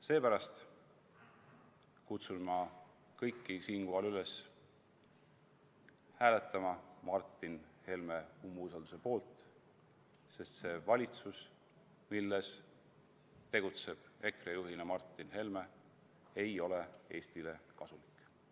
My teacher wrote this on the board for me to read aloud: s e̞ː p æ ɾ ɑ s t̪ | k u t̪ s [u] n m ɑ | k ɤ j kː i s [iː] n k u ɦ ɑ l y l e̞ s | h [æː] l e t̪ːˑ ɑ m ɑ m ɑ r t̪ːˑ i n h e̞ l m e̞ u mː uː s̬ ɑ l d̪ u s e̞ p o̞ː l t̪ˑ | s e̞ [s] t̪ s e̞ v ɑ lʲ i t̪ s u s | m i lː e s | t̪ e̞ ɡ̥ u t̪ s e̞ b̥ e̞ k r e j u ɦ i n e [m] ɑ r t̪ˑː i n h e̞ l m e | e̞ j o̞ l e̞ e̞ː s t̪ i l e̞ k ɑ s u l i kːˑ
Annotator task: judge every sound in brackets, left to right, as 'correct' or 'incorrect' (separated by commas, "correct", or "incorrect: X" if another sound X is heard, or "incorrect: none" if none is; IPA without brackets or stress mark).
correct, correct, correct, correct, correct